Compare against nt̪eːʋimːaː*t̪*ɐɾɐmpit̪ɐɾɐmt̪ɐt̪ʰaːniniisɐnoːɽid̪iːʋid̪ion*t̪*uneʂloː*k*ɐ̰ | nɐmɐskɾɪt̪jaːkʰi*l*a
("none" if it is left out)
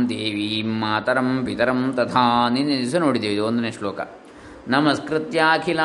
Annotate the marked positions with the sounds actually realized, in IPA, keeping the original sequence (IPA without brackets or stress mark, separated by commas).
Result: t̪, d̪, k, l